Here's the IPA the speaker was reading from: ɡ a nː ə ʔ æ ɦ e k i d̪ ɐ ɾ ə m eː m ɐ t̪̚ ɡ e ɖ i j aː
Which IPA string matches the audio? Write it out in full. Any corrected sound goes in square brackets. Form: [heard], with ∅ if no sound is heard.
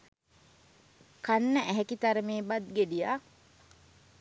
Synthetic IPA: [k] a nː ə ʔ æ ɦ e k i [t̪] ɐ ɾ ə m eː [b] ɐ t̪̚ ɡ e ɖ i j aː